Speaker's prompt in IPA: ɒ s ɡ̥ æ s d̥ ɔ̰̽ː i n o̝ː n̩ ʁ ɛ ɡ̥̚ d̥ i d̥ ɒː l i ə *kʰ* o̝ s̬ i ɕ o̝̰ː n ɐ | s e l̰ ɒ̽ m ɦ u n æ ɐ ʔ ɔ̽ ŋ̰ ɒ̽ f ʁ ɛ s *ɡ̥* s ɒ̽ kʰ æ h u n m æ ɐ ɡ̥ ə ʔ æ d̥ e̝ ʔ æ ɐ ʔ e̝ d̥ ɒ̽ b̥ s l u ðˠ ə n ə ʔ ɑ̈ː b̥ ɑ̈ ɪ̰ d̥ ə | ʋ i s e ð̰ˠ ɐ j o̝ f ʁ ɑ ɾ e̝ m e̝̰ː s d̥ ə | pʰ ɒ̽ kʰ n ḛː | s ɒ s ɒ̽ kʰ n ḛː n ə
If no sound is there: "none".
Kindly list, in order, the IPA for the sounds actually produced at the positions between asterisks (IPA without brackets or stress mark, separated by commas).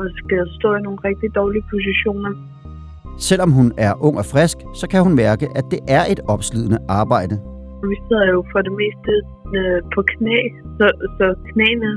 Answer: pʰ, ɡ̥